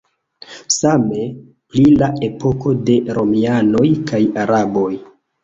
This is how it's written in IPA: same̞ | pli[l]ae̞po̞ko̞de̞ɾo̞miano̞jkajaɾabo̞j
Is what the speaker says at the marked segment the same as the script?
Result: yes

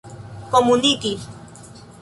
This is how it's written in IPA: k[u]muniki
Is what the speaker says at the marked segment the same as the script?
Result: no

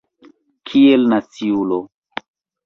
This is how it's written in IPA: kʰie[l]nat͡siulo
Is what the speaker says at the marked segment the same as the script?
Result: yes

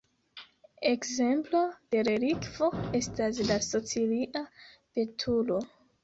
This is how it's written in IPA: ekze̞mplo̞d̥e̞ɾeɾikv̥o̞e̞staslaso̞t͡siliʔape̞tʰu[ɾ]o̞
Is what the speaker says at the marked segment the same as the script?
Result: no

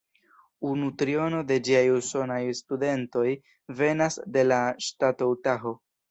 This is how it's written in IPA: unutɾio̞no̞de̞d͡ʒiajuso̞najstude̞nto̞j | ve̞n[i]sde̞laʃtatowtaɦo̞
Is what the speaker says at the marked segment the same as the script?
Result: no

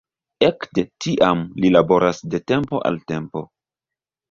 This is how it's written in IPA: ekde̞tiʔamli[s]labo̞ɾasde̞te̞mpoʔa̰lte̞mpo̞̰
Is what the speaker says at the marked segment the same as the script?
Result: no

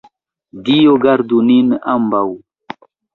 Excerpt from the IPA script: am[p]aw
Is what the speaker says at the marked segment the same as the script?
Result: no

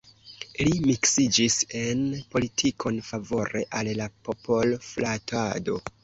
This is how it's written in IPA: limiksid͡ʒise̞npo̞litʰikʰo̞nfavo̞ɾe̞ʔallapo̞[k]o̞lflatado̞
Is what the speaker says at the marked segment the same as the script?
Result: no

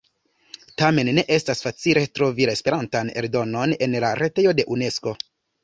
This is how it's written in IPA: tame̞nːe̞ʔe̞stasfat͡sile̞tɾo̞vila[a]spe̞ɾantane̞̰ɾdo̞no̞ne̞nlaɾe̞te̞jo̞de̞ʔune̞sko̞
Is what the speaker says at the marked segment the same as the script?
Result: no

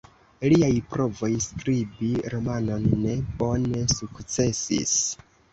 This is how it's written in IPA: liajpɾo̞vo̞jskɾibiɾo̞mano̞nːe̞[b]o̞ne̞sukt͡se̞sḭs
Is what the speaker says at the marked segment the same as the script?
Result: yes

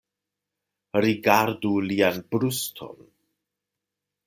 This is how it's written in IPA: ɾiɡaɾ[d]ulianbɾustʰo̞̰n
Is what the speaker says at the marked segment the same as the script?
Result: yes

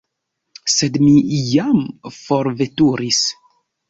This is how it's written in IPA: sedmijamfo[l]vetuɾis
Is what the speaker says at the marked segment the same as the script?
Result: no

